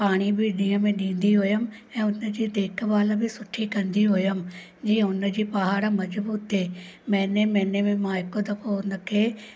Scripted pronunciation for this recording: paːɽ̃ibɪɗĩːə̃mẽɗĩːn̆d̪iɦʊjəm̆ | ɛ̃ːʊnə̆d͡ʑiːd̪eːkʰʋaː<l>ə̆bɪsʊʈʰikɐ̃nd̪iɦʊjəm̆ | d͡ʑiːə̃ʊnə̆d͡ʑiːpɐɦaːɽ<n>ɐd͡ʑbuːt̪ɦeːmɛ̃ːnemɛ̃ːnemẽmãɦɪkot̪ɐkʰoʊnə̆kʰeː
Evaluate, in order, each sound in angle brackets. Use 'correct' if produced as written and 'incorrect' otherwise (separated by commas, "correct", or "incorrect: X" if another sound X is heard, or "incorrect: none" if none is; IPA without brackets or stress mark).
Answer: correct, incorrect: m